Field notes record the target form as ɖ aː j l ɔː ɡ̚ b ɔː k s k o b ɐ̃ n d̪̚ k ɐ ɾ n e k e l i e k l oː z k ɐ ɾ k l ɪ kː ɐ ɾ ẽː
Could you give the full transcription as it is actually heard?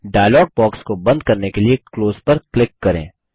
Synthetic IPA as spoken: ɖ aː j l ɔː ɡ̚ b ɔː k s k o b ɐ̃ n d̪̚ k ɐ ɾ n e k e l i e k l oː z p ɐ ɾ k l ɪ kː ɐ ɾ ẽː